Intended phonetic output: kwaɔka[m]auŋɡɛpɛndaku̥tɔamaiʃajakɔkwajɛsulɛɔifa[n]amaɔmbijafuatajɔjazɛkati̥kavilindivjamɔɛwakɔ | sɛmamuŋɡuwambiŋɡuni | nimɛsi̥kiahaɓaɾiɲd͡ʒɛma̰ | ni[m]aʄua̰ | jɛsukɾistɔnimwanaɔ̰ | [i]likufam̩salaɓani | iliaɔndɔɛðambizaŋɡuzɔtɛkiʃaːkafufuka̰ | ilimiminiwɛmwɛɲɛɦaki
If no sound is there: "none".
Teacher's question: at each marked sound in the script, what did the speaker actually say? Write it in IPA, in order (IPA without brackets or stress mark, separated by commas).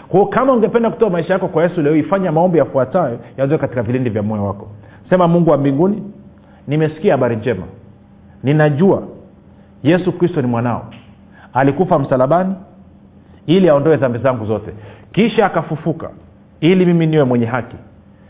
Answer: m, ɲ, n, a